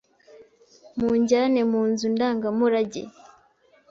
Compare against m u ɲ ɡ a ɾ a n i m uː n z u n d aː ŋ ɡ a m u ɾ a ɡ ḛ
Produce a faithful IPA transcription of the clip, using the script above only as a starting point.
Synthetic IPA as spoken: m u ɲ ɟ a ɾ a n e m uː n z u n d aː ŋ ɡ a m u ɾ a ɟ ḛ